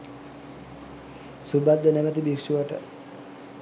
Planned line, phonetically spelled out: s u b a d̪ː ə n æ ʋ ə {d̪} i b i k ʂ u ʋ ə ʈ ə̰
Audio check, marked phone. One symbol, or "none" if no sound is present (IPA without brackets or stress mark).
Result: t̪